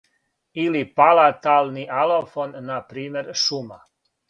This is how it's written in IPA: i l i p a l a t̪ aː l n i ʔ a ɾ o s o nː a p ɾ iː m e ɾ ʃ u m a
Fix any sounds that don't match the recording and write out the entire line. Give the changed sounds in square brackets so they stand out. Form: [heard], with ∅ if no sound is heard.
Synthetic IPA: i l i p a l a t̪ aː l n i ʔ a [l] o [f] o nː a p ɾ iː m e ɾ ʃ u m a